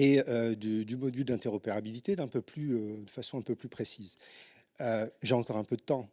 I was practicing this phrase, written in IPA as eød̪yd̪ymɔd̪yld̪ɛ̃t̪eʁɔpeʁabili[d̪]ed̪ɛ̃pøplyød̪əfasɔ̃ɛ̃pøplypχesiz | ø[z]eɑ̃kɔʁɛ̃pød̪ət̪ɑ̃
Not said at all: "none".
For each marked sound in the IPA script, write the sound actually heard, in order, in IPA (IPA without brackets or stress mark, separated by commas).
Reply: t̪, ʒ